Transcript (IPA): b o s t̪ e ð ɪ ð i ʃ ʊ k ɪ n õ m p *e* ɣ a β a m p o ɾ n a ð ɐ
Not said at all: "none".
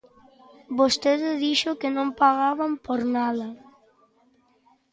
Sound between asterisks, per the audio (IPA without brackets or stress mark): a